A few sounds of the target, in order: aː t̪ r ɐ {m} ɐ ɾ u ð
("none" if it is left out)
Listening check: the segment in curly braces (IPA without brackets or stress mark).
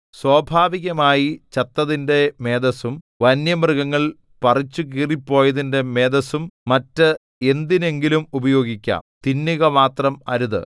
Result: m